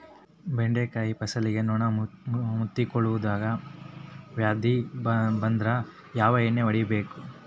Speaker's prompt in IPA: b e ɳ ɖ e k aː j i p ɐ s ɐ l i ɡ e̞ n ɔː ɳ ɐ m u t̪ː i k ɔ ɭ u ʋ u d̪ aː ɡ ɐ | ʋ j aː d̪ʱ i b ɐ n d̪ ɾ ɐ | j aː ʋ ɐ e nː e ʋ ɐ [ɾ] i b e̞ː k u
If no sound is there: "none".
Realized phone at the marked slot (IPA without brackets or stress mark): ɽ